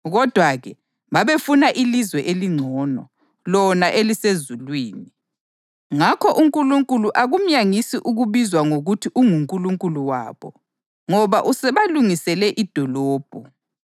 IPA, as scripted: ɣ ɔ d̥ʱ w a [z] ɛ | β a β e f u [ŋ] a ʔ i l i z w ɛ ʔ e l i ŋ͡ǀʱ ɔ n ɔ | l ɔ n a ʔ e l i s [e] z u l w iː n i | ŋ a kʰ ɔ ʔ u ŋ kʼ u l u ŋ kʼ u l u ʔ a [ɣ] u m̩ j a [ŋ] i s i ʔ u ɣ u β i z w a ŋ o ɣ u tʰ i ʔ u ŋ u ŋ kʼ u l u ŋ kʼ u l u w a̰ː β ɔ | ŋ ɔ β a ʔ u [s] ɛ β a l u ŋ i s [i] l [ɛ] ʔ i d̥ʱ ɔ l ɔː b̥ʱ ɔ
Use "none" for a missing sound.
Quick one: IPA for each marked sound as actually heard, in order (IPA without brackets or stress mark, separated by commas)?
ɣ, n, e, ɣ, ŋ, s, ɛ, ɛ